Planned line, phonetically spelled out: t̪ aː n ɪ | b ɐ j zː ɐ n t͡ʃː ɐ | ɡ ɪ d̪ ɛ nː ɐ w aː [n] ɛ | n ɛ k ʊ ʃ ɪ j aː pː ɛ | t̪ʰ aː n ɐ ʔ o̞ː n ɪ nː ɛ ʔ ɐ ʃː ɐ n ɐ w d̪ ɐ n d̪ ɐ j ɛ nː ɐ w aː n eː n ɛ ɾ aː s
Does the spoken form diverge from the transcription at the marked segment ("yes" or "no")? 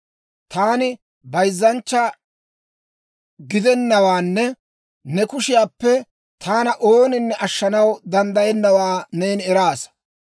yes